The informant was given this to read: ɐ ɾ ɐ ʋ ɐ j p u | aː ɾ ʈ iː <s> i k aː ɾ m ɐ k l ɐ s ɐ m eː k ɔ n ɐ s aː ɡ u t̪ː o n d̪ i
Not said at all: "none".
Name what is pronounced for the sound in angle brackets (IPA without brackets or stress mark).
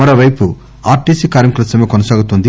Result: s